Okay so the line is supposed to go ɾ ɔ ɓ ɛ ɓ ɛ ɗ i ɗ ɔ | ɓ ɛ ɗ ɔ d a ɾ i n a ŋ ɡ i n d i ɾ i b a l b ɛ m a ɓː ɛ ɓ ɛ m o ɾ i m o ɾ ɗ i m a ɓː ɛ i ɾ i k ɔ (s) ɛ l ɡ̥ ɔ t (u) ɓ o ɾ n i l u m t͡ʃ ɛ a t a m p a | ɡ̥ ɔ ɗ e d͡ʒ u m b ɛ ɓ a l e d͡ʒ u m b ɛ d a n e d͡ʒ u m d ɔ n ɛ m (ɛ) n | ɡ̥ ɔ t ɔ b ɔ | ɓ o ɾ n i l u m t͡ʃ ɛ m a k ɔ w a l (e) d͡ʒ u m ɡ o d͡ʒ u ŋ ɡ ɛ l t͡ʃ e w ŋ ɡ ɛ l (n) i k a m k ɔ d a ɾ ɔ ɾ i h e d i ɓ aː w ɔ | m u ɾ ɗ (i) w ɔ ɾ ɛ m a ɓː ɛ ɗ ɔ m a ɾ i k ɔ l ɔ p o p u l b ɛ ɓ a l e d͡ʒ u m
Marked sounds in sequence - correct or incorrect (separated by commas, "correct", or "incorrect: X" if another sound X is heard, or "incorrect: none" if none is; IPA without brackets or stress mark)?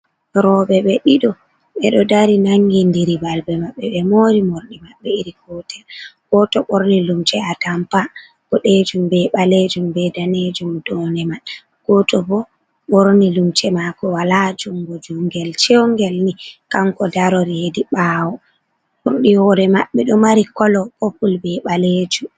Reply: incorrect: t, incorrect: ɔ, incorrect: a, incorrect: a, correct, correct